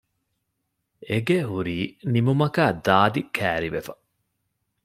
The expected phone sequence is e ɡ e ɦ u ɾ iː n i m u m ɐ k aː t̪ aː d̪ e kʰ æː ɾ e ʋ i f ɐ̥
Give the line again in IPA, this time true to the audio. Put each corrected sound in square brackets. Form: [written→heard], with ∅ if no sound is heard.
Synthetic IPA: e ɡ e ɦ u ɾ iː n i m u m ɐ k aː [t̪→d̪] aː d̪ [e→i] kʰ æː ɾ [e→i] ʋ [i→e] f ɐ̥